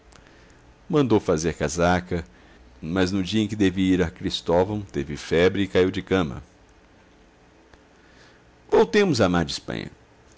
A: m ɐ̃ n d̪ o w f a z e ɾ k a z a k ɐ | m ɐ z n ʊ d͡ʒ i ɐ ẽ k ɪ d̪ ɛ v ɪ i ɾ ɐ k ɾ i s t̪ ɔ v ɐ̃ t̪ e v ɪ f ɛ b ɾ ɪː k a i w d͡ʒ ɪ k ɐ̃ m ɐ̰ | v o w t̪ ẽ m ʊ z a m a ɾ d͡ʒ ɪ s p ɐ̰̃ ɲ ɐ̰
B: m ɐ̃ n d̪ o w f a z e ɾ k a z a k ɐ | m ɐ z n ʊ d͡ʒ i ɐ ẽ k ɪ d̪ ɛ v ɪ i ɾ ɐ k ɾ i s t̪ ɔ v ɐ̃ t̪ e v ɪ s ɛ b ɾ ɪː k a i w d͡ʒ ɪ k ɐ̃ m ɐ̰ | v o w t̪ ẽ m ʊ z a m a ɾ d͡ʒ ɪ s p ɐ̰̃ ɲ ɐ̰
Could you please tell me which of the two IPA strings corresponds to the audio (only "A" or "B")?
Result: A